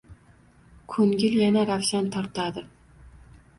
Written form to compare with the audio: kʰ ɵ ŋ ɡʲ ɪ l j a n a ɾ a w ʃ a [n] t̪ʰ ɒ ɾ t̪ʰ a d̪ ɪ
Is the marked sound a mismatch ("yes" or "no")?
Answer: no